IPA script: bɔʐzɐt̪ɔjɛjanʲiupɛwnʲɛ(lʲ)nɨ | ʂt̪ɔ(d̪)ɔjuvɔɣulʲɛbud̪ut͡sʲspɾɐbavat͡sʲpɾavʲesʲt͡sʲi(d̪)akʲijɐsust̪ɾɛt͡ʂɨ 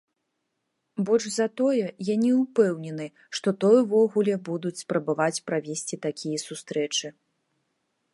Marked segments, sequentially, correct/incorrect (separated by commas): incorrect, incorrect, incorrect